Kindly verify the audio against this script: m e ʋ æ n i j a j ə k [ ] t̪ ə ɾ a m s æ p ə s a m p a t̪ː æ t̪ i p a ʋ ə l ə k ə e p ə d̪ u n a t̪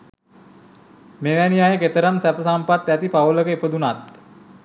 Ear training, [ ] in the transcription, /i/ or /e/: e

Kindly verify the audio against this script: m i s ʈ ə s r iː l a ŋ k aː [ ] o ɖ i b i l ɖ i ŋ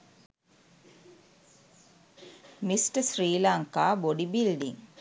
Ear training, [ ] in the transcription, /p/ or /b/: b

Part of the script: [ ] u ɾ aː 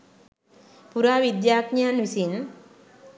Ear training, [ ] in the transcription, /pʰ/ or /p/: p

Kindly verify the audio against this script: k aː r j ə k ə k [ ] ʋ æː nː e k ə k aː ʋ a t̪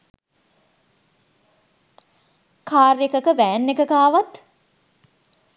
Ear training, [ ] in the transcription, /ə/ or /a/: ə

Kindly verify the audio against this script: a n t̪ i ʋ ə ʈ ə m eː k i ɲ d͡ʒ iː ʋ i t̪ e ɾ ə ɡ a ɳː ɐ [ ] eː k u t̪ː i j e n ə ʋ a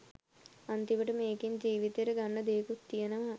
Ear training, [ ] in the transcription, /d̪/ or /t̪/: d̪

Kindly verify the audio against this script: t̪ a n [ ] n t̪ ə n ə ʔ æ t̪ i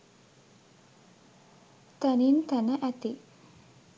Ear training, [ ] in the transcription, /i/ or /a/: i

